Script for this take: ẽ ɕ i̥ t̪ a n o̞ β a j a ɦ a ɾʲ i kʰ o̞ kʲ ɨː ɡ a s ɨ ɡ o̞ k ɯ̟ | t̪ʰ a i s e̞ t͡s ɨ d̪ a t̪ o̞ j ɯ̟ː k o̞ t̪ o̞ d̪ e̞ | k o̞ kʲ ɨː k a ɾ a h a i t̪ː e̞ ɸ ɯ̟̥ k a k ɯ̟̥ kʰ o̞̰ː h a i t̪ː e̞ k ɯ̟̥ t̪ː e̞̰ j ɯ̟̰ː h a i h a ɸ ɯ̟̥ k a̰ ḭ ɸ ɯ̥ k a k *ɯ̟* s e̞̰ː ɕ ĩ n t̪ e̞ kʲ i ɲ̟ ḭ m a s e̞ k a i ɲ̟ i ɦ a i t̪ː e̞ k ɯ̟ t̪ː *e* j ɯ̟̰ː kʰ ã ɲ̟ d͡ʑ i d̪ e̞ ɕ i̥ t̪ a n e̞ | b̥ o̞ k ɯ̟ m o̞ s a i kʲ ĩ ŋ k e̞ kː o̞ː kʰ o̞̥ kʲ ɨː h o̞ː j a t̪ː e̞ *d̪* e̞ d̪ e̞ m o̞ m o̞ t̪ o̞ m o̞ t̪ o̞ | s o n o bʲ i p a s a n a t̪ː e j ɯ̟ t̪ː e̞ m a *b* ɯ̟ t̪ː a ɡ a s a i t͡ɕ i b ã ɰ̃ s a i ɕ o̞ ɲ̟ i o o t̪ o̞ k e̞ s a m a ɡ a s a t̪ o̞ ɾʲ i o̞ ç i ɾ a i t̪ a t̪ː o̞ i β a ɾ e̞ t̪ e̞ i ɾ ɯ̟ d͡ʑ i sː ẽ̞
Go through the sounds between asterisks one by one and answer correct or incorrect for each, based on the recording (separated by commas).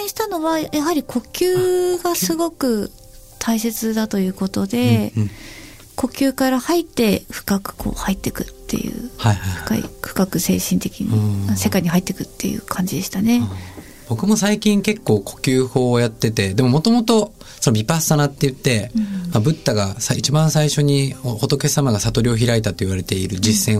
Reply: correct, correct, incorrect, correct